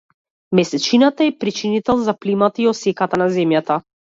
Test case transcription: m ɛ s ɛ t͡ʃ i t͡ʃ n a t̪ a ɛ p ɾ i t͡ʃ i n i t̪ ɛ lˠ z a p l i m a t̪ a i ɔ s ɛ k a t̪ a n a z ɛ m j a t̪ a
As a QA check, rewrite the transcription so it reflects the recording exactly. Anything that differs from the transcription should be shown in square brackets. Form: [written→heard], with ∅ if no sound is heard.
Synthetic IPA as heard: m ɛ s ɛ t͡ʃ i [t͡ʃ→∅] n a t̪ a ɛ p ɾ i t͡ʃ i n i t̪ ɛ lˠ z a p l i m a t̪ a i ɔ s ɛ k a t̪ a n a z ɛ m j a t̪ a